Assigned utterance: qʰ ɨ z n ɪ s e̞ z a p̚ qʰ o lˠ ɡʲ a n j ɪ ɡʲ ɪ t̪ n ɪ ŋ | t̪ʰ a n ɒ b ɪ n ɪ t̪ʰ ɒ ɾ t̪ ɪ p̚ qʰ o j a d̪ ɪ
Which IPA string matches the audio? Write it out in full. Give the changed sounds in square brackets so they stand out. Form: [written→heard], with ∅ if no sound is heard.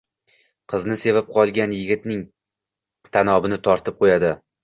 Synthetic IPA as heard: qʰ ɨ z n ɪ s e̞ [z→v] a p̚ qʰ [o→ɒ] lˠ ɡʲ a n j ɪ ɡʲ ɪ t̪ n ɪ ŋ | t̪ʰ a n ɒ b ɪ n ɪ t̪ʰ ɒ ɾ t̪ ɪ p̚ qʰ o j a d̪ ɪ